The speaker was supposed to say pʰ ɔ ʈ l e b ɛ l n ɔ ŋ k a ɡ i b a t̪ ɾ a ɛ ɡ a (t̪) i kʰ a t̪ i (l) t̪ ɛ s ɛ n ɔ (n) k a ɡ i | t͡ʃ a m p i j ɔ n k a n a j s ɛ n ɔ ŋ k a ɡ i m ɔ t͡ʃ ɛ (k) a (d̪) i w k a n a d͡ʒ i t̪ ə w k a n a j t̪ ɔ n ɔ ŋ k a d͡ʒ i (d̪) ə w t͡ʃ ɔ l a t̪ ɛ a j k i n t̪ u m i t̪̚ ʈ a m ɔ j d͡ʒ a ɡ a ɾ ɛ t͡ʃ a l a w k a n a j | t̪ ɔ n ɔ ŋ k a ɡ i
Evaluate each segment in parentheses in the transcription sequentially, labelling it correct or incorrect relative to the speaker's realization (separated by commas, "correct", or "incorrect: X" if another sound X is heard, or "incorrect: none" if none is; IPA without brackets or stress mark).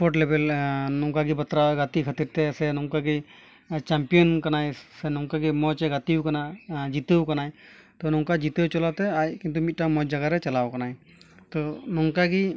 correct, incorrect: ɾ, incorrect: ŋ, incorrect: ɡ, incorrect: t̪, incorrect: t̪